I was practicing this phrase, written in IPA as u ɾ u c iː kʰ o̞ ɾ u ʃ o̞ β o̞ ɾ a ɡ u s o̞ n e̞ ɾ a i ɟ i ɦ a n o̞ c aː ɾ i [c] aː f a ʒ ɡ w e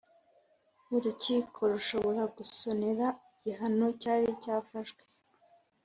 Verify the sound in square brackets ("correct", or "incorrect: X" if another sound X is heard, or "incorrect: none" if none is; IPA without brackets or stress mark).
correct